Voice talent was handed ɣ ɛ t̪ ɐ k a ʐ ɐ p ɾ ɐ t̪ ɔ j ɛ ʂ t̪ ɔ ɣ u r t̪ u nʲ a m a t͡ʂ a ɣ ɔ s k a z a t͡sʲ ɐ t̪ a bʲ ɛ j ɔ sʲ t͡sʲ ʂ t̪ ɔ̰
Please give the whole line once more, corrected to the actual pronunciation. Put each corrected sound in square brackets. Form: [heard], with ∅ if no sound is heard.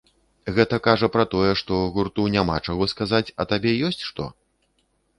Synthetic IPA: ɣ ɛ t̪ ɐ k a ʐ ɐ p ɾ ɐ t̪ ɔ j ɛ ʂ t̪ ɔ ɣ u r t̪ u nʲ a m a t͡ʂ a ɣ ɔ s k a z a t͡sʲ ɐ t̪ a bʲ ɛ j ɔ sʲ t͡sʲ ʂ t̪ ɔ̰